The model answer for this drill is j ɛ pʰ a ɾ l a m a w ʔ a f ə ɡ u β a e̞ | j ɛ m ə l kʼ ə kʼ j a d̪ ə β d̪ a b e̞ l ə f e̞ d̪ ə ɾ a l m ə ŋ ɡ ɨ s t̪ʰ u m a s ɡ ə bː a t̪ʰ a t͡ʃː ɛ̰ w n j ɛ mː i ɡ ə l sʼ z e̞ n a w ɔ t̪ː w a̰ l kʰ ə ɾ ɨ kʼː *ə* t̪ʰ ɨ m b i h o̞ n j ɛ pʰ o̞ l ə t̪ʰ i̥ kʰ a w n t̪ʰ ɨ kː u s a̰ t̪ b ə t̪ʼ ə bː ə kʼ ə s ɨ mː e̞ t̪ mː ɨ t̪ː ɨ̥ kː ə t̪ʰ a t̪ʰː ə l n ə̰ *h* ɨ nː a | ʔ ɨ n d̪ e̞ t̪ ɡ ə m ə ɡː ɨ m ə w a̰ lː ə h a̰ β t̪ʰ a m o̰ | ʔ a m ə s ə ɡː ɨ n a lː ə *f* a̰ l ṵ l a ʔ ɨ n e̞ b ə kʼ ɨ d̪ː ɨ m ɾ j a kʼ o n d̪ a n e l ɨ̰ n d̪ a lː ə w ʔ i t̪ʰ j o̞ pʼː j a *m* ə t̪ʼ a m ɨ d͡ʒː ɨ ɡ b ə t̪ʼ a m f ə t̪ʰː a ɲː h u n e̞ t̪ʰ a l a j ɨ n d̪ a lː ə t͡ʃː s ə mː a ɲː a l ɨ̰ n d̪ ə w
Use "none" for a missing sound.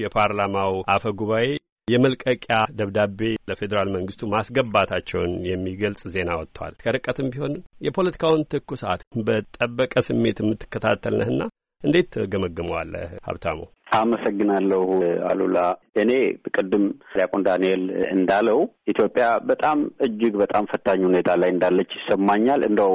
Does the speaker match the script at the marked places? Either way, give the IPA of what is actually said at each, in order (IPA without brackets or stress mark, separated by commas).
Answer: ə, h, h, b